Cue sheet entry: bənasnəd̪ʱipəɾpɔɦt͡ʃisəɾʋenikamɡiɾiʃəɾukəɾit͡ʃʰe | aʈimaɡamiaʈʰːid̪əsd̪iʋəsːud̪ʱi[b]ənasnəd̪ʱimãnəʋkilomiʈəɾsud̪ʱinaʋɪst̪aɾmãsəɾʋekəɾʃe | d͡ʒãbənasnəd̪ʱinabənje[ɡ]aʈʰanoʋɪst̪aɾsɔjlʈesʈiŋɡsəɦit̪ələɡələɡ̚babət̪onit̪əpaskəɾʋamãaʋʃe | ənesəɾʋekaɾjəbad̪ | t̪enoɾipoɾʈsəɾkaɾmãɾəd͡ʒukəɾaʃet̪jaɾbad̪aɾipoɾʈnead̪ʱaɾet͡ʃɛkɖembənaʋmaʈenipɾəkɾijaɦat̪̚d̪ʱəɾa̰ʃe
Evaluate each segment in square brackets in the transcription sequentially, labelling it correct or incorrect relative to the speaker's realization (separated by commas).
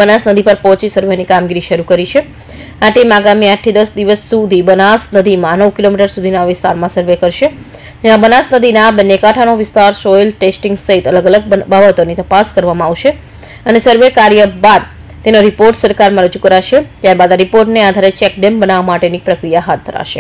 correct, incorrect